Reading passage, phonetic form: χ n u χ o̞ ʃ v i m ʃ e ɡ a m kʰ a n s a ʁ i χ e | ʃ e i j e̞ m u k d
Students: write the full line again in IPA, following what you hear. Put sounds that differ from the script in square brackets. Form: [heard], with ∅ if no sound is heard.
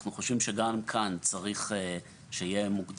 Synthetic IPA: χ n u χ o̞ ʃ v i m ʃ e ɡ a m kʰ a n [t͡s] a ʁ i χ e | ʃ e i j e̞ m u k d